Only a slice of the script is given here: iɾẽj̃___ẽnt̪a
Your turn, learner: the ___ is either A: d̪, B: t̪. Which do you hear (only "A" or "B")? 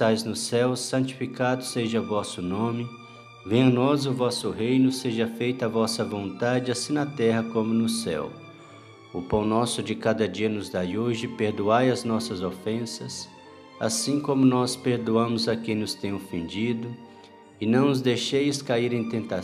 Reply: B